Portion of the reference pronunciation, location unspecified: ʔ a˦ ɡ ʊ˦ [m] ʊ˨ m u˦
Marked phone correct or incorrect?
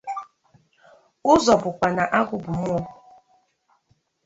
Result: incorrect: b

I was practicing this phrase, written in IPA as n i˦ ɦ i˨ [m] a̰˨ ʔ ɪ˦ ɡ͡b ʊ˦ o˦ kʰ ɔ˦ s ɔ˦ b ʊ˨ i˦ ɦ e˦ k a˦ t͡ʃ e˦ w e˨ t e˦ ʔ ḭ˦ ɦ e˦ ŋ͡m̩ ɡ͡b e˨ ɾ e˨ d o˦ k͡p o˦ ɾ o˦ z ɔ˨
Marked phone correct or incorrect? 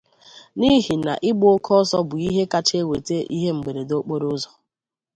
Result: incorrect: n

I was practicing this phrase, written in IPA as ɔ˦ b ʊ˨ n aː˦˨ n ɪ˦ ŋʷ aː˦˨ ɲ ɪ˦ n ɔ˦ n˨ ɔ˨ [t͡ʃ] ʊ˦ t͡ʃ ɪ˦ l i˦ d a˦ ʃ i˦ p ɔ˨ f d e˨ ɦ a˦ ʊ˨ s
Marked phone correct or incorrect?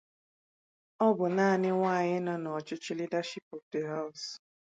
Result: correct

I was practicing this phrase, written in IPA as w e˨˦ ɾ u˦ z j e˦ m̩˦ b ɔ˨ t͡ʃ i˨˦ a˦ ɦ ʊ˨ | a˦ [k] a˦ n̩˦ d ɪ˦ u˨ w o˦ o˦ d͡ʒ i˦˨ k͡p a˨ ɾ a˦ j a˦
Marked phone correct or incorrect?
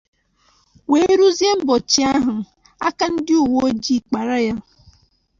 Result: correct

